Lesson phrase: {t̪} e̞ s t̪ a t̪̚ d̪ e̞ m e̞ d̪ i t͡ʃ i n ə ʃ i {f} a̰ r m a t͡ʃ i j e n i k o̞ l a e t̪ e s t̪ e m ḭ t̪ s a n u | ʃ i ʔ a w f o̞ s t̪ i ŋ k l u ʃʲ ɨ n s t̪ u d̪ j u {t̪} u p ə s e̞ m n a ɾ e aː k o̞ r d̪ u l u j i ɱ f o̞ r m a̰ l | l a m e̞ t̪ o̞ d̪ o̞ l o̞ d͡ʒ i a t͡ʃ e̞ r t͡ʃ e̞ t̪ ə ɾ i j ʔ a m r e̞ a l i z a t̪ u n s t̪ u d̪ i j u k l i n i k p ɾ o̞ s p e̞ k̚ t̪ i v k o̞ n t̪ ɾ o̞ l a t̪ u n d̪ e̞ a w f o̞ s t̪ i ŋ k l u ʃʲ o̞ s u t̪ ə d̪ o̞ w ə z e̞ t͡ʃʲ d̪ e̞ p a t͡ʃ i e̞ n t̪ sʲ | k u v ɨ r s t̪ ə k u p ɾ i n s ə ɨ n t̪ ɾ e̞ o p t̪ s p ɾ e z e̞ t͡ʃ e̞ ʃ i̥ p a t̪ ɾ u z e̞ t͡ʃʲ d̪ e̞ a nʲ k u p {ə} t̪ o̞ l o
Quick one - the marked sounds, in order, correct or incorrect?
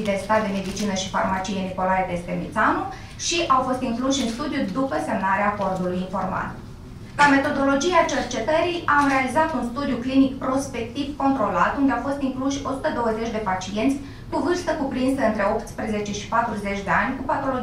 incorrect: d̪, correct, incorrect: d̪, incorrect: a

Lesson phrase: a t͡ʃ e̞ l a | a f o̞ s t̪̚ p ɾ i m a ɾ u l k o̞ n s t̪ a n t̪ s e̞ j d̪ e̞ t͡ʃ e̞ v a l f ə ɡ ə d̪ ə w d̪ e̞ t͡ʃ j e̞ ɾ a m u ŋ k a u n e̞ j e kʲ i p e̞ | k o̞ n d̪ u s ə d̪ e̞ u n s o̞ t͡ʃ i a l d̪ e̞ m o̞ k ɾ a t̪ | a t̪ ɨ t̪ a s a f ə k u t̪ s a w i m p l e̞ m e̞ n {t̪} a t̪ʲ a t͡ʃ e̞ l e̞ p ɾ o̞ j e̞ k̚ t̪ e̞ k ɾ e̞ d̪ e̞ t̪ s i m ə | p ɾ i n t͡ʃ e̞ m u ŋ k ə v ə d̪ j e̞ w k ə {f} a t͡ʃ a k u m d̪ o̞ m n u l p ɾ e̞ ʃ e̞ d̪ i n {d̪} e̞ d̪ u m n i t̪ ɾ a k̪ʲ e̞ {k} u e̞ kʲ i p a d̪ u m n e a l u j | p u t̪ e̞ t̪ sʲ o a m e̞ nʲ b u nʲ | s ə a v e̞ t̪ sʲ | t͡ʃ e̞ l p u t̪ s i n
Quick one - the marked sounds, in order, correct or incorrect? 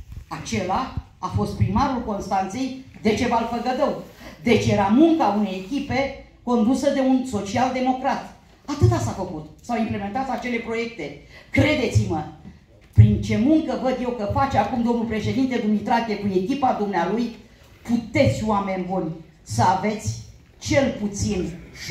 correct, correct, incorrect: t̪, correct

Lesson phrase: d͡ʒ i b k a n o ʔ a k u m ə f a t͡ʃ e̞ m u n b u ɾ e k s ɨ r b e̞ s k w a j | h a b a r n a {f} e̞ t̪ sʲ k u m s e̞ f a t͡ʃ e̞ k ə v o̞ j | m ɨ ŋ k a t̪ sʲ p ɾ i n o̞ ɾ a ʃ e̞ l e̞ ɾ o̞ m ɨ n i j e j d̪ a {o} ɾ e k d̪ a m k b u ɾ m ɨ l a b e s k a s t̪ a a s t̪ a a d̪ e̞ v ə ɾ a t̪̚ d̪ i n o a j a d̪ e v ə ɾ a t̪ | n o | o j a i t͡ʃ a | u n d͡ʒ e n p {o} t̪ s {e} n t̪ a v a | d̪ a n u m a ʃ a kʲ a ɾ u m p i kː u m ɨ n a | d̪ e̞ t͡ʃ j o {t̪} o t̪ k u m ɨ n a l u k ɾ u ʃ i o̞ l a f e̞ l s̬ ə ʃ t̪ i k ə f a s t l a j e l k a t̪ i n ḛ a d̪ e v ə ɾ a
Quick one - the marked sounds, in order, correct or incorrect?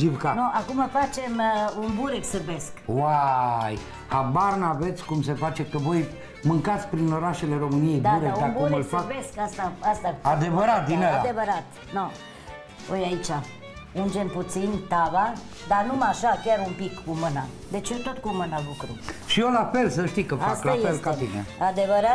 incorrect: v, incorrect: u, incorrect: u, incorrect: i, correct

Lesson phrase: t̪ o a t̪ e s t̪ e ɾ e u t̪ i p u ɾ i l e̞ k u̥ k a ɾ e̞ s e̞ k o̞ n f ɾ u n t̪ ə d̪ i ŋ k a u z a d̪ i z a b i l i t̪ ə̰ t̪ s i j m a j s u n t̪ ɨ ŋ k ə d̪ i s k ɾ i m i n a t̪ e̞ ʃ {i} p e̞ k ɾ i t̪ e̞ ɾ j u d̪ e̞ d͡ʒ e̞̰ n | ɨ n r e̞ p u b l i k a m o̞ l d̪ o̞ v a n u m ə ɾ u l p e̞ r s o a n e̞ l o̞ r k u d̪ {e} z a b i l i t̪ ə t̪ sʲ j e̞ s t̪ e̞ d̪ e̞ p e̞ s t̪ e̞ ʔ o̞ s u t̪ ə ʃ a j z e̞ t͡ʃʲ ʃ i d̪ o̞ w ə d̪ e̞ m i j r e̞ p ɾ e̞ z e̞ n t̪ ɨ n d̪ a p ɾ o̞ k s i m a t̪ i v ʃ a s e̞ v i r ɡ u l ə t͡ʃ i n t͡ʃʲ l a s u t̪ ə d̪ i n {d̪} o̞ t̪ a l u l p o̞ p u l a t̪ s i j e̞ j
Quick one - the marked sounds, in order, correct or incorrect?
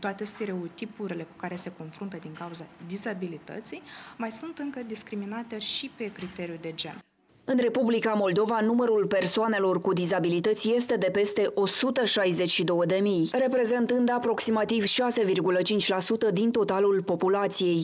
correct, incorrect: i, incorrect: t̪

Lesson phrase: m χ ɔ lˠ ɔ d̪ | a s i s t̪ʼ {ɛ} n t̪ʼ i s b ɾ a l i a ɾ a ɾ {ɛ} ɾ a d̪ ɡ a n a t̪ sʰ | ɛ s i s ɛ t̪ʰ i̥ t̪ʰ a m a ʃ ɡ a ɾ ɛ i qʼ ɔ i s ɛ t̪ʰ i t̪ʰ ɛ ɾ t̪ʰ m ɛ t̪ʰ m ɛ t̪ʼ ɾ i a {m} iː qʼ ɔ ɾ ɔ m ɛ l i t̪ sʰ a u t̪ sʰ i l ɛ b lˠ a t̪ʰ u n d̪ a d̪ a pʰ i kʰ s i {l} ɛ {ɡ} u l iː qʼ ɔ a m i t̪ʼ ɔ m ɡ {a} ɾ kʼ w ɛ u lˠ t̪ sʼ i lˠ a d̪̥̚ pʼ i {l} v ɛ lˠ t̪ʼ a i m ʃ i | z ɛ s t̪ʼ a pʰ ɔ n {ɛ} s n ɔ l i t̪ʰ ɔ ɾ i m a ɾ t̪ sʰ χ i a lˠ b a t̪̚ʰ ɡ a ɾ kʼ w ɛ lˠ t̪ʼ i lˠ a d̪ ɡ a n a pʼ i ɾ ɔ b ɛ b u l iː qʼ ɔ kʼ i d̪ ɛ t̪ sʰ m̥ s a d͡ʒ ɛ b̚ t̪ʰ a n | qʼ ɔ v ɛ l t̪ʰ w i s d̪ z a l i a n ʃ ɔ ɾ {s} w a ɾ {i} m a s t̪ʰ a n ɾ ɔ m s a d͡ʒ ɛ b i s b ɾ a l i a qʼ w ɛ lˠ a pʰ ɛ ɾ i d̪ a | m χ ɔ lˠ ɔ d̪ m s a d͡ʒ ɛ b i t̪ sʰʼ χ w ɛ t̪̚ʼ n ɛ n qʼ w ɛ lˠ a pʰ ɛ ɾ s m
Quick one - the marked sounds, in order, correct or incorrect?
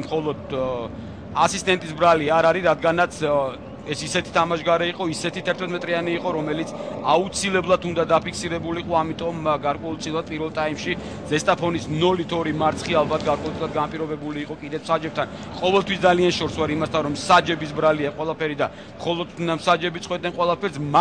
correct, incorrect: i, incorrect: n, incorrect: ɾ, incorrect: b, correct, incorrect: ɾ, incorrect: i, correct, correct

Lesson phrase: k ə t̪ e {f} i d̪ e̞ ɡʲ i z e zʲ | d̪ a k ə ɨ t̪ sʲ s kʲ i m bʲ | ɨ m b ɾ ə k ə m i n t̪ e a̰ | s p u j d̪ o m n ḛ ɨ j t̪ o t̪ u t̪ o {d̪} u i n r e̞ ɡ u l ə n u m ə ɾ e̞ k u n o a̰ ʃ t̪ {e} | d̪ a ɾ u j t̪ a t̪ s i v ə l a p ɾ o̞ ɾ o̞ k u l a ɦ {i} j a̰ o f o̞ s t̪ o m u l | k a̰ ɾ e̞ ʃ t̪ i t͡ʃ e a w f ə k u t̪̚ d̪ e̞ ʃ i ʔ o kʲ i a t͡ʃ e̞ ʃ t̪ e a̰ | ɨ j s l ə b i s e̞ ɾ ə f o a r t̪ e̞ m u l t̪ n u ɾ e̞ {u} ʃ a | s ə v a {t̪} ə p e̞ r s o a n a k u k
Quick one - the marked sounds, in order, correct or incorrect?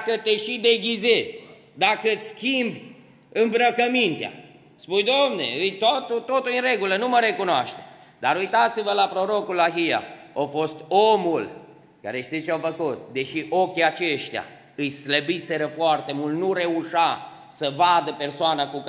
incorrect: ʃ, incorrect: t̪, correct, correct, correct, incorrect: d̪

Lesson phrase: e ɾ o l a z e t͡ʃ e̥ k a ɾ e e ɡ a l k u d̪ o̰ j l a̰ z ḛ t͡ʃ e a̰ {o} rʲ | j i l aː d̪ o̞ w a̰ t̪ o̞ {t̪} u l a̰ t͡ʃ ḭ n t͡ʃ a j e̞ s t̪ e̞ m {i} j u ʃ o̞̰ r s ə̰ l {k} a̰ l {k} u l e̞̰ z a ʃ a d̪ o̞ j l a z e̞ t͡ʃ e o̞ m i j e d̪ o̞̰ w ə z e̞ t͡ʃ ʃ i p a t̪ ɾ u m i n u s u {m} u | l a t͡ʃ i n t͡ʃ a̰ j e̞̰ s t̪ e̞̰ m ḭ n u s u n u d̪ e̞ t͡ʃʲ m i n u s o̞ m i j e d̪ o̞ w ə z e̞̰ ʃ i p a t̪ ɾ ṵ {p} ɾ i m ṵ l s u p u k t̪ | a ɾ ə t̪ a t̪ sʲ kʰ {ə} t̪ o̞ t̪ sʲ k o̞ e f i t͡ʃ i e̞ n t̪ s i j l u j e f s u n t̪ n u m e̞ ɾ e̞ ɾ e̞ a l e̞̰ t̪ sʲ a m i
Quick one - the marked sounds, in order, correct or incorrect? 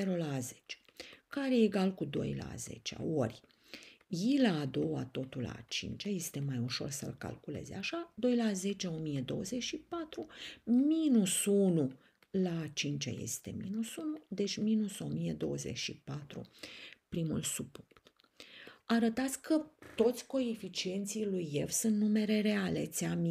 correct, correct, incorrect: a, correct, correct, incorrect: n, correct, correct

